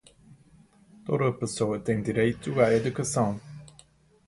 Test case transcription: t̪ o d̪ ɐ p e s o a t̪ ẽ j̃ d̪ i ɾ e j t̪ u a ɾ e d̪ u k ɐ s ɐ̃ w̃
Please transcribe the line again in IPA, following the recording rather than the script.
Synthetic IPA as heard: t̪ o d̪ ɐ p e s o ɐ t̪ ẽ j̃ d̪ i ɾ e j t̪ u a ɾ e d̪ u k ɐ s ɐ̃ w̃